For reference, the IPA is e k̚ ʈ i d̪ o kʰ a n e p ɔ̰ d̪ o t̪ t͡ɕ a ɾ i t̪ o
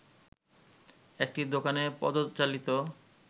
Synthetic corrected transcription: e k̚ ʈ i d̪ o k a n e p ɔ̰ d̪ o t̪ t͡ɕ a l i t̪ o